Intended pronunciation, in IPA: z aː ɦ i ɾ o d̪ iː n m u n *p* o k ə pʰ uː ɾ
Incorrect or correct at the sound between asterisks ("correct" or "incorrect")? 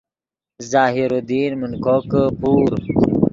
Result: incorrect